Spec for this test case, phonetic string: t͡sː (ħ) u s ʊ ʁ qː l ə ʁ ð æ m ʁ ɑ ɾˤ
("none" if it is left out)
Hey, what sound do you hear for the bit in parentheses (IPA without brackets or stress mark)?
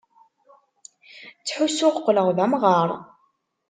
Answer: ħ